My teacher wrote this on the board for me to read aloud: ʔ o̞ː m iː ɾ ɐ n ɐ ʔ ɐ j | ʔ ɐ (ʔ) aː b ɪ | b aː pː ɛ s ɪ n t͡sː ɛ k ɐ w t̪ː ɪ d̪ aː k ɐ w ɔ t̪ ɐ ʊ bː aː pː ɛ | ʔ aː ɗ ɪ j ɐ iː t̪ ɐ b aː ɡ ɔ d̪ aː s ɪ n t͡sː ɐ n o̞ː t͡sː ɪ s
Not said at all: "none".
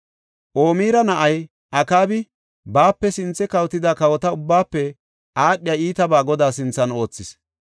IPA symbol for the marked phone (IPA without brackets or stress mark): k